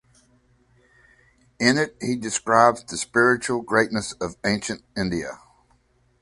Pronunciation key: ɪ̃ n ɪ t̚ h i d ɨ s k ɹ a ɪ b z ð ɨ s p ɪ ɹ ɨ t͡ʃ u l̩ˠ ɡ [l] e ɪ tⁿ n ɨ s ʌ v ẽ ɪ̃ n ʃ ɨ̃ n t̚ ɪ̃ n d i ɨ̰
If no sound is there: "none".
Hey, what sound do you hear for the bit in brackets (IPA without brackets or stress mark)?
ɹ